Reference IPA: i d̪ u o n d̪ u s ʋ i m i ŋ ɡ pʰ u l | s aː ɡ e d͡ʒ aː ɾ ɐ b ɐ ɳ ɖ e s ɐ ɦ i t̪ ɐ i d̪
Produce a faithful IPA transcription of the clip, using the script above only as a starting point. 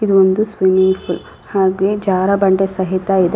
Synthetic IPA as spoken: i d̪ u o n d̪ u s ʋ i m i ŋ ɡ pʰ u l | h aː ɡ e d͡ʒ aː ɾ ɐ b ɐ ɳ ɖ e s ɐ ɦ i t̪ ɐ i d̪

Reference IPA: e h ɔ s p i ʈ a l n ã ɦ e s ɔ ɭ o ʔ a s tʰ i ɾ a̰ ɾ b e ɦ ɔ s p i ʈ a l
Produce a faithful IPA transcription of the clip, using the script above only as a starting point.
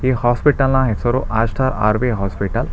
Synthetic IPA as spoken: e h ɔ s p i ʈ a l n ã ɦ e s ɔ ɾ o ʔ a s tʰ a ɾ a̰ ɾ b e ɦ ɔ s p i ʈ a l

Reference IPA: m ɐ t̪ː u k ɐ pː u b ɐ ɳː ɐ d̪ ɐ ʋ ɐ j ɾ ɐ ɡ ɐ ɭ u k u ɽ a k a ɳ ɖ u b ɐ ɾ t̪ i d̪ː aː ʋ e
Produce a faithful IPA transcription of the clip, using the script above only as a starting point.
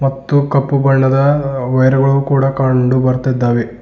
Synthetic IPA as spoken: m ɐ t̪ː u k ɐ pː u b ɐ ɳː ɐ d̪ ɐ ʋ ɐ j ɾ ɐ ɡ ɐ ɭ u k uː ɽ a k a ɳ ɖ u b ɐ ɾ t̪ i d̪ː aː ʋ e

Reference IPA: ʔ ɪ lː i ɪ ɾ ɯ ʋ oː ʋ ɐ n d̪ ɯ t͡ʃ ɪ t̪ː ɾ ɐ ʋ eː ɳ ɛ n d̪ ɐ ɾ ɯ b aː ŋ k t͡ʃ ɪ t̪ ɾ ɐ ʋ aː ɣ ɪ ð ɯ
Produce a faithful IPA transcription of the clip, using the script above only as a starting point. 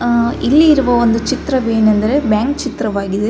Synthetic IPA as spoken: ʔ ɪ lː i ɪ ɾ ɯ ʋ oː ʋ ɐ n d̪ ɯ t͡ʃ ɪ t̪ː ɾ ɐ ʋ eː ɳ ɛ n d̪ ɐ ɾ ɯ b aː ŋ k t͡ʃ ɪ t̪ ɾ ɐ ʋ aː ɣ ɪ ð ɯ

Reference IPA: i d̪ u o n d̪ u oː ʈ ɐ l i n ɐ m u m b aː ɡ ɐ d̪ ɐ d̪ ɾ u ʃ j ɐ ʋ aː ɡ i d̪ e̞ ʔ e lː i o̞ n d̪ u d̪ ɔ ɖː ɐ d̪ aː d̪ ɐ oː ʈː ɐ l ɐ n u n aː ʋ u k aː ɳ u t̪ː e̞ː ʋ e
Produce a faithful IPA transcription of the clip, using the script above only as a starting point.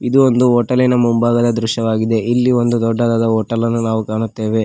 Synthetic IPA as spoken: i d̪ u o n d̪ u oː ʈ ɐ l i n ɐ m u m b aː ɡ ɐ d̪ ɐ d̪ ɾ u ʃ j ɐ ʋ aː ɡ i d̪ e̞ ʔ i lː i o̞ n d̪ u d̪ ɔ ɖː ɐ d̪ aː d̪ ɐ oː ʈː ɐ l ɐ nː u n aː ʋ u k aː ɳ u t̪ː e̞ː ʋ e

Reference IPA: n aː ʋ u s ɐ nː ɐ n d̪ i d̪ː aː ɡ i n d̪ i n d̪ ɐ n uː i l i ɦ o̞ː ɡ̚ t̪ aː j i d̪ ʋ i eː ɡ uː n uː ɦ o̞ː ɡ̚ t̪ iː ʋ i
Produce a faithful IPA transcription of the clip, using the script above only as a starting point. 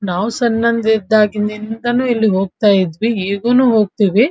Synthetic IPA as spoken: n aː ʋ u s ɐ nː ɐ n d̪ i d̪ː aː ɡ i n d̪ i n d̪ ɐ n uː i lː i ɦ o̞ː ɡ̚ t̪ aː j i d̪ ʋ i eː ɡ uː n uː ɦ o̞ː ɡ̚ t̪ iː ʋ i

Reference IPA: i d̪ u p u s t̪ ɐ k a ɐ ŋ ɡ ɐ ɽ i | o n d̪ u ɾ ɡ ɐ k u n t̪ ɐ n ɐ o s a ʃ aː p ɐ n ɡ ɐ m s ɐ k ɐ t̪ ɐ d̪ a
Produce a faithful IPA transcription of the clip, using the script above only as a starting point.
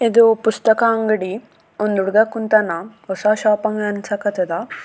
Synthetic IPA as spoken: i d̪ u p u s t̪ ɐ k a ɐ ŋ ɡ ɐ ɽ i | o n d̪ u ɽ ɡ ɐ k u n t̪ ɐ n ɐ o s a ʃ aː p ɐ ŋ ɡ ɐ n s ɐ k ɐ t̪ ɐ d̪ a

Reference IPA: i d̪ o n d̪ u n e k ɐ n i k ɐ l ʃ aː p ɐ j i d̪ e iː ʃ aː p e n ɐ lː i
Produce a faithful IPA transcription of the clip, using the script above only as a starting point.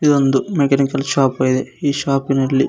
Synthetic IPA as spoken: i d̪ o n d̪ u m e k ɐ n i k ɐ l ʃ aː p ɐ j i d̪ e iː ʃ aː p i n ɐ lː i

